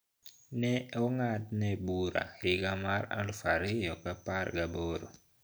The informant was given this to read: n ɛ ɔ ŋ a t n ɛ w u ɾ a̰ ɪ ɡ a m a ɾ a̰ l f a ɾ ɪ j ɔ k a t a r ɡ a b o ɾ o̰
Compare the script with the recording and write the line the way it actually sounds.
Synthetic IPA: n ɛ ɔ ŋ a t n ɛ b u ɾ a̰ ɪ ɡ a m a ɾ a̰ l f a ɾ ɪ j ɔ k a p a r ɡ a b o ɾ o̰